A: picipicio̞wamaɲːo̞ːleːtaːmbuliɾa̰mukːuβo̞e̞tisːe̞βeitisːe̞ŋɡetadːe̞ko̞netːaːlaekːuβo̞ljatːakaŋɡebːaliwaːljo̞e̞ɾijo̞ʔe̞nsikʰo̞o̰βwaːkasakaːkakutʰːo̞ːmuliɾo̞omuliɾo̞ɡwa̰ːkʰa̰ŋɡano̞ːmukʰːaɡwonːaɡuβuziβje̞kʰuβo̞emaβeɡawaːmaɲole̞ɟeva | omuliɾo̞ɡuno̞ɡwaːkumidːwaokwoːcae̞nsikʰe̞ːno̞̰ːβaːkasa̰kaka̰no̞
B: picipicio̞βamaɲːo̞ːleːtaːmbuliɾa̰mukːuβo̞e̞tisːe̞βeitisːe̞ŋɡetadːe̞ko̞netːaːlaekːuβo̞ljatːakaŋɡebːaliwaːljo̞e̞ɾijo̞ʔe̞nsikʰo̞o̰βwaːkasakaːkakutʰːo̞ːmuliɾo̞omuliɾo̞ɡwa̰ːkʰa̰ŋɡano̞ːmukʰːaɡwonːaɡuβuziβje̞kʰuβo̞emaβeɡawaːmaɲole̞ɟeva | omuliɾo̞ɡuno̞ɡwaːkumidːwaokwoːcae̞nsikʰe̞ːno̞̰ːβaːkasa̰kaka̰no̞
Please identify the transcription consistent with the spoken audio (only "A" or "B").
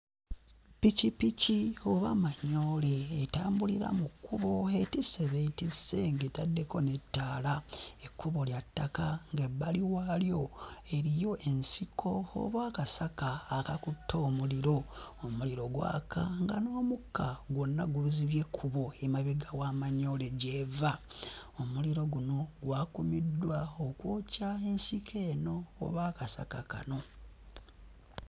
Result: B